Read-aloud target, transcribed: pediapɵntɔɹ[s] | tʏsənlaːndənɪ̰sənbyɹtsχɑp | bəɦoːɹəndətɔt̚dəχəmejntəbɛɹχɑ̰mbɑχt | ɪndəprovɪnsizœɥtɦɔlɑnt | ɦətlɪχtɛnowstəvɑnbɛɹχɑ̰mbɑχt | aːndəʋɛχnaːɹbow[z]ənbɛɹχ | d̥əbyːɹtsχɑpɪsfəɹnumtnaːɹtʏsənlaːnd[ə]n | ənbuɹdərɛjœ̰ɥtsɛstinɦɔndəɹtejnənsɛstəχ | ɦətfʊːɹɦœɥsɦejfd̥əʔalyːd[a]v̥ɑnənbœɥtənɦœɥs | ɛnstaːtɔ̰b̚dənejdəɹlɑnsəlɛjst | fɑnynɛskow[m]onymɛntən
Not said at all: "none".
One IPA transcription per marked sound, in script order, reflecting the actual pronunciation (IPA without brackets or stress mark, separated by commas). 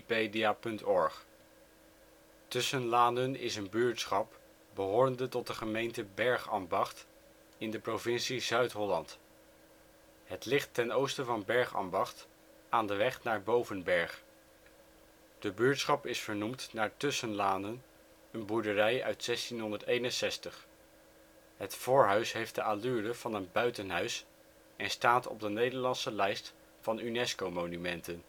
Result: χ, v, ə, ə, m